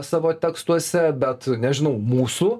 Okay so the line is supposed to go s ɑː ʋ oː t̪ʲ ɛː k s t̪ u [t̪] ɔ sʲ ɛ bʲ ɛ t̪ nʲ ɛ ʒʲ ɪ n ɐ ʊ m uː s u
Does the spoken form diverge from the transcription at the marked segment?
yes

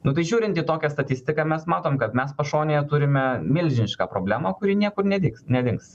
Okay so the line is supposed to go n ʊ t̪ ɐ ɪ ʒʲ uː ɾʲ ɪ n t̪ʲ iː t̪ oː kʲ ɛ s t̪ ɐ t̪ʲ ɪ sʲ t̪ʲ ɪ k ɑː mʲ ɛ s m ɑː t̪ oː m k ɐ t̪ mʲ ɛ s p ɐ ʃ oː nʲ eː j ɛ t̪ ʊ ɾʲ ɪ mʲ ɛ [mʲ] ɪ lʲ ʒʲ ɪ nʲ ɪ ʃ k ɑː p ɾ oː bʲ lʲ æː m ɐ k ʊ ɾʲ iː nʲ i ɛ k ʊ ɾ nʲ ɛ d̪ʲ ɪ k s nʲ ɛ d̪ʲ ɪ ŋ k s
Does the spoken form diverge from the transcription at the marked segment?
no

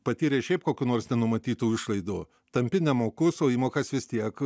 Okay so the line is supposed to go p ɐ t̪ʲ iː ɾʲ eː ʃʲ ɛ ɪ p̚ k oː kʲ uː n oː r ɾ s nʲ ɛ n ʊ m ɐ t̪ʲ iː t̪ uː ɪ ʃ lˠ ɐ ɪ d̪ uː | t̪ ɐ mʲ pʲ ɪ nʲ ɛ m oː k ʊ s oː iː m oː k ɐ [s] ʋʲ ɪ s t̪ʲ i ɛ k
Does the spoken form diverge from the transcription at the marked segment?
no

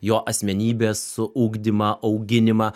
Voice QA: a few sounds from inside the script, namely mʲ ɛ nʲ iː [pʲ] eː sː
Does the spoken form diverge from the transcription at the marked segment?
yes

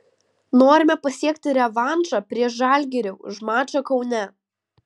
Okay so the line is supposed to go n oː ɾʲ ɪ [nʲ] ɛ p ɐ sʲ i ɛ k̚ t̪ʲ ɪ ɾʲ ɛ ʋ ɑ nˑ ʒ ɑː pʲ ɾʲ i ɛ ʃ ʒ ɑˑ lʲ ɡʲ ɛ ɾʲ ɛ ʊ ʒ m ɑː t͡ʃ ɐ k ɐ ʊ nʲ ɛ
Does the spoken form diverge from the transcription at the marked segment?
yes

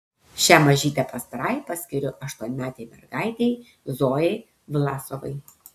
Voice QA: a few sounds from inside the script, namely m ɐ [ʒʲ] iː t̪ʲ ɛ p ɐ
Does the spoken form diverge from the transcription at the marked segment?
no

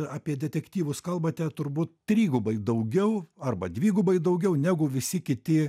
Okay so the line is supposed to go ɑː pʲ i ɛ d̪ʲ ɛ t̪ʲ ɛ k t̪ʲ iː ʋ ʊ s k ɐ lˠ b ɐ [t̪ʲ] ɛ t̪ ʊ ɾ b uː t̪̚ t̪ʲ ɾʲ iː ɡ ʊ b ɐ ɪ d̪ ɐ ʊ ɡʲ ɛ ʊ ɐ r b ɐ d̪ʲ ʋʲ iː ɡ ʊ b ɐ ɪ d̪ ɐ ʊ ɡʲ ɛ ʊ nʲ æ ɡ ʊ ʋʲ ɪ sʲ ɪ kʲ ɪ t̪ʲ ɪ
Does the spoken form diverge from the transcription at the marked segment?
no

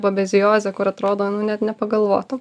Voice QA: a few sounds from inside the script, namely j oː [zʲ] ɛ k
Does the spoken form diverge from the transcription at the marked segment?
no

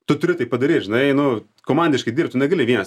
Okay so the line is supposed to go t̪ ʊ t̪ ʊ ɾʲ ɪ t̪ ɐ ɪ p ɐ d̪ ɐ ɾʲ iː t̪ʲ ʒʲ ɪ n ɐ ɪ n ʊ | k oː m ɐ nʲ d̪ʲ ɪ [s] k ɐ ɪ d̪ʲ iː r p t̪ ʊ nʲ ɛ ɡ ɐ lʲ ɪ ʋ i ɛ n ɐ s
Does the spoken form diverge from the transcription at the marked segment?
yes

